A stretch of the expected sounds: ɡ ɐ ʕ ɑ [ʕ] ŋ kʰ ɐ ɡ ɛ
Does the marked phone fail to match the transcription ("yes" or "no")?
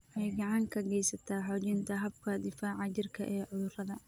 yes